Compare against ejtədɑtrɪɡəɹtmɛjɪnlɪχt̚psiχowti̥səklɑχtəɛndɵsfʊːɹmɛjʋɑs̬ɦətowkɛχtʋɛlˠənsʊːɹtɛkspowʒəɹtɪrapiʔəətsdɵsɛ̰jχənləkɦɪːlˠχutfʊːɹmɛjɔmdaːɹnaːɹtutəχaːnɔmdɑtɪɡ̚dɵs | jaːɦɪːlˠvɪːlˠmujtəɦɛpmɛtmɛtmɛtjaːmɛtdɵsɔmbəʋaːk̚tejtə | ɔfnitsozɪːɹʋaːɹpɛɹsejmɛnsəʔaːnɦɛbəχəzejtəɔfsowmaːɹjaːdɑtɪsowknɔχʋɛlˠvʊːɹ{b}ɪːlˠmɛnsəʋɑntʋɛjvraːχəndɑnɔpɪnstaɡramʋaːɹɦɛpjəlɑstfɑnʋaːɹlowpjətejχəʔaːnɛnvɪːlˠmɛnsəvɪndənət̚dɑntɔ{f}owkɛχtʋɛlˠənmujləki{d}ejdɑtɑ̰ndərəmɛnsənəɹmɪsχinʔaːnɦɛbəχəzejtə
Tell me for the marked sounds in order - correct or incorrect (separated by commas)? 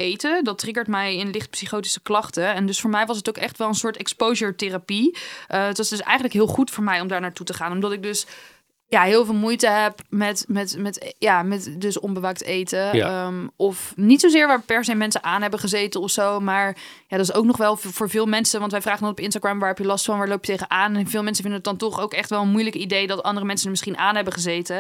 incorrect, incorrect, correct